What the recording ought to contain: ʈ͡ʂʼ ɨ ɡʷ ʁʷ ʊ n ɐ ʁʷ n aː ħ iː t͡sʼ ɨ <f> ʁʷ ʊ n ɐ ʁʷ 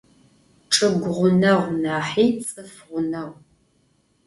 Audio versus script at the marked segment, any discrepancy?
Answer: no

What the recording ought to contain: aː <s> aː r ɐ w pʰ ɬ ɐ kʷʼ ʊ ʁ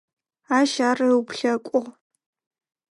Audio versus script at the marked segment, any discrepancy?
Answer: yes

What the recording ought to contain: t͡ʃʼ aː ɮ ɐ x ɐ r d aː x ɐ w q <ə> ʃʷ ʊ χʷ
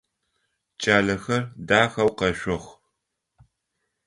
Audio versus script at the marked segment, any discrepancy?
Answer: yes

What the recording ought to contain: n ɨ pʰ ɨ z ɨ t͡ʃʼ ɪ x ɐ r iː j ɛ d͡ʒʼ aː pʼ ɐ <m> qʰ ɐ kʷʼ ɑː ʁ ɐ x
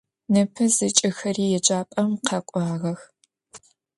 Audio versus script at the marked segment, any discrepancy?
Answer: no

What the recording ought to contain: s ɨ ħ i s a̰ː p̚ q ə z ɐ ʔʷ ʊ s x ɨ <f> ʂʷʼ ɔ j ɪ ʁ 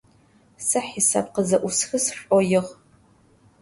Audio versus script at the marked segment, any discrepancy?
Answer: yes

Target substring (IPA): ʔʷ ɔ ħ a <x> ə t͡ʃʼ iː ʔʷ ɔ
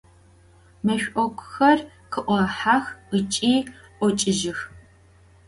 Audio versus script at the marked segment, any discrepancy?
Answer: no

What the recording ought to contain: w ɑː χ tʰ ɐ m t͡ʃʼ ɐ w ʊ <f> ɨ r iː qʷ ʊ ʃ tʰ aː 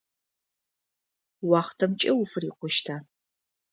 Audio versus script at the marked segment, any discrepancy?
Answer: no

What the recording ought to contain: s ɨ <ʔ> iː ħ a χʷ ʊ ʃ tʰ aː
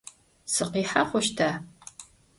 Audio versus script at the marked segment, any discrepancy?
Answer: yes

